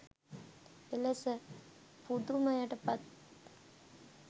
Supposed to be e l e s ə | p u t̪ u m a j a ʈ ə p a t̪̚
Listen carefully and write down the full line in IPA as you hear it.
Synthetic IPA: e l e s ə | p u d̪ u m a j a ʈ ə p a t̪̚